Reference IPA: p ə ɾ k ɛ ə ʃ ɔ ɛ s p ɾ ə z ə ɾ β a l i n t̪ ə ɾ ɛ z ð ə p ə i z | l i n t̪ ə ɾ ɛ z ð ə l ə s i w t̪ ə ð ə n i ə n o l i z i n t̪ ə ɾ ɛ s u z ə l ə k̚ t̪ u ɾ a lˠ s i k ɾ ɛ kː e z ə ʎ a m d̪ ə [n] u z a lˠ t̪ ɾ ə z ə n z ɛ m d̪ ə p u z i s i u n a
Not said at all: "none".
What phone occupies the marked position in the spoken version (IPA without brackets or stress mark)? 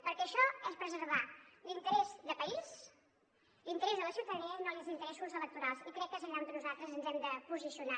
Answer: n